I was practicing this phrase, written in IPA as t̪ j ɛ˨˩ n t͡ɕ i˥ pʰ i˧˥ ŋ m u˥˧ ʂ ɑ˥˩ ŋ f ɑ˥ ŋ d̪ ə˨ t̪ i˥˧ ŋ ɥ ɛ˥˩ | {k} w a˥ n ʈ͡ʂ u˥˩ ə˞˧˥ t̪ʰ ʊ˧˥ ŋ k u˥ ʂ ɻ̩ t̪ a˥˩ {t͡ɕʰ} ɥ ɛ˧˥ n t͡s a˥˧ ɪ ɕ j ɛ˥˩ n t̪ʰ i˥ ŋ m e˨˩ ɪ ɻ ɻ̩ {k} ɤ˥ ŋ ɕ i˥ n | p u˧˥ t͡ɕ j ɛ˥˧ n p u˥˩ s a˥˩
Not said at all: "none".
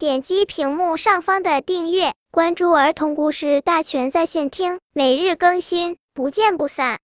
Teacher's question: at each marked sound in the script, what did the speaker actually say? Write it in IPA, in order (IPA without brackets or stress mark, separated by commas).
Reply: k, t͡ɕʰ, k